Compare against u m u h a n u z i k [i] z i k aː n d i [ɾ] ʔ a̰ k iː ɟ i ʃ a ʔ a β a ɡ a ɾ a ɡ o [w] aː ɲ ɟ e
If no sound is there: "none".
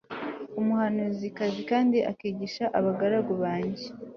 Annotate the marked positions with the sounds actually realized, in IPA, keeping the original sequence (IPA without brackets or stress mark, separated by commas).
a, none, β